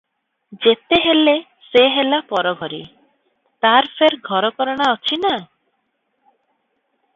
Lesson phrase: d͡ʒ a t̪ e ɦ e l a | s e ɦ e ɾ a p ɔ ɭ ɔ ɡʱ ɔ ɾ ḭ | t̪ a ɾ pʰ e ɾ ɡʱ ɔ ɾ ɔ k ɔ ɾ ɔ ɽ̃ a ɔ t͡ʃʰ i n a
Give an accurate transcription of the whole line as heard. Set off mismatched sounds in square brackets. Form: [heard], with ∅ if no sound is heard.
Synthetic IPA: d͡ʒ [e] t̪ e ɦ e l [e] | s e ɦ e [l] a p ɔ [ɾ] ɔ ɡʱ ɔ ɾ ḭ | t̪ a ɾ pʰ e ɾ ɡʱ ɔ ɾ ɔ k ɔ ɾ ɔ ɽ̃ a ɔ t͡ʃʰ i n a